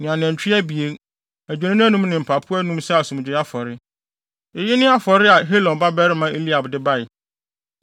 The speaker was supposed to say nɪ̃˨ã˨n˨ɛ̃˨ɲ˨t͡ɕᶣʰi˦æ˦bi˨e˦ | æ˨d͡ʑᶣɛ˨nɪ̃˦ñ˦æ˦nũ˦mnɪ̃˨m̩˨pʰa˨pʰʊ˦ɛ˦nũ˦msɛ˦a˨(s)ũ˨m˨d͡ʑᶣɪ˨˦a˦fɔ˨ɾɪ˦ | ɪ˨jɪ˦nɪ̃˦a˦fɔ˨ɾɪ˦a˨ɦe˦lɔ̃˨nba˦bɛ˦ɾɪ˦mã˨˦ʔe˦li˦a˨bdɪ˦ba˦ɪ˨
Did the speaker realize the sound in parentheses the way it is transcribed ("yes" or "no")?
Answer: yes